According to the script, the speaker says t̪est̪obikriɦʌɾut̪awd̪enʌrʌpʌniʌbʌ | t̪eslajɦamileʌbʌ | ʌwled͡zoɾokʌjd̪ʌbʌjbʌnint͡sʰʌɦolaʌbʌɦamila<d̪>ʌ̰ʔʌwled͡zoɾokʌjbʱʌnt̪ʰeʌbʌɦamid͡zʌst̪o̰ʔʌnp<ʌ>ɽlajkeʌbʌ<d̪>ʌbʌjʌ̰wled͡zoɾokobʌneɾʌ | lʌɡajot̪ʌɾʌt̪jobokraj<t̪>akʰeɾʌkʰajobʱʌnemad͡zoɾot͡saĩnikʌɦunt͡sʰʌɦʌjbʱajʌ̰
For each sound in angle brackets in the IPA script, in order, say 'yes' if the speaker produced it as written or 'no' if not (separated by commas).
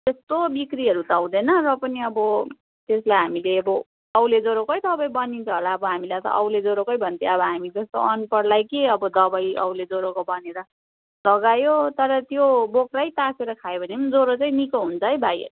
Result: no, yes, yes, yes